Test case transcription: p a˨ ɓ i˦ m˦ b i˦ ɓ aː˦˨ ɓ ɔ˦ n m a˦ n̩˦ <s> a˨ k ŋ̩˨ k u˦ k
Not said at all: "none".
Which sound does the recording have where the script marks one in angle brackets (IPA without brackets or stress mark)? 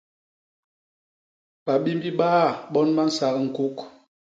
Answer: s